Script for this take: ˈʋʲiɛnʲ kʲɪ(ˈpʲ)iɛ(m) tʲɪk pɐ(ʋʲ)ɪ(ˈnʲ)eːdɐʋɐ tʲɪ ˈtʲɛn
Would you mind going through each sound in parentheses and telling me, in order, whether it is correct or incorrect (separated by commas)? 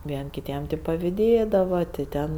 incorrect, correct, correct, incorrect